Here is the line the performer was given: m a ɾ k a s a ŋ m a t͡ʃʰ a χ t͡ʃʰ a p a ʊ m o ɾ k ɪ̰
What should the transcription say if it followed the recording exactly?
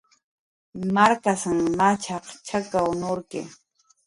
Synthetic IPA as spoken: m a ɾ k a s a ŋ m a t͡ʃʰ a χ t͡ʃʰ a k a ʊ n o ɾ k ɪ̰